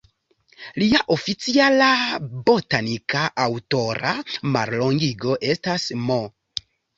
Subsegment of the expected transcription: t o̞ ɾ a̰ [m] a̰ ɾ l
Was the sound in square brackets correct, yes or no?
yes